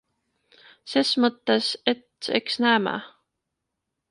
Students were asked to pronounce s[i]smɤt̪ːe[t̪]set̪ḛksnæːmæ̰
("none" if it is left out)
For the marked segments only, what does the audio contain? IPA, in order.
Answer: e, none

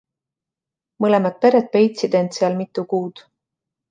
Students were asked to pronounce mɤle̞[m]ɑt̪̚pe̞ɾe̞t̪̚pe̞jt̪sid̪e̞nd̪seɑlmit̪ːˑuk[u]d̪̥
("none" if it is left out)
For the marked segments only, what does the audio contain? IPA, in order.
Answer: m, uː

